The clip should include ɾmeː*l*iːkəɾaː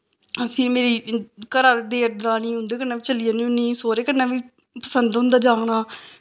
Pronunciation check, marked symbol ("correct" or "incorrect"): incorrect